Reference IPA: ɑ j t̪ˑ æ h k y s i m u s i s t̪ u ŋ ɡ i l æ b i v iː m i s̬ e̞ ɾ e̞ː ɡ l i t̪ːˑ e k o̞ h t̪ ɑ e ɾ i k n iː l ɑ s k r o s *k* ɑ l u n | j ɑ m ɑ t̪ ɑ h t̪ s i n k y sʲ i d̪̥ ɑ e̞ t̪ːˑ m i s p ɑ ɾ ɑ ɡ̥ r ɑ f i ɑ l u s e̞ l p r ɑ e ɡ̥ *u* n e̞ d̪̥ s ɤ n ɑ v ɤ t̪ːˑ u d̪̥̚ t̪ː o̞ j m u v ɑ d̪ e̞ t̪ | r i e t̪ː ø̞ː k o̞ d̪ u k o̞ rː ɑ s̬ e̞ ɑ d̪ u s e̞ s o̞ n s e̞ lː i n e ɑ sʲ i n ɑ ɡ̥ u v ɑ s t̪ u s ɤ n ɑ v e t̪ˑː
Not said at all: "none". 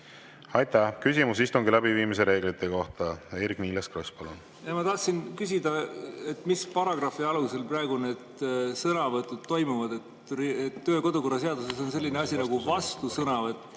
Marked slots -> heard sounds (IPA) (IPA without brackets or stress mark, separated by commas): p, u